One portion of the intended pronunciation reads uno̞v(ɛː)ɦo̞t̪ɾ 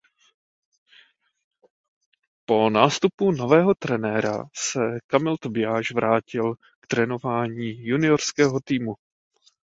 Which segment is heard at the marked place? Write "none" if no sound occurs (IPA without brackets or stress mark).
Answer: ɛː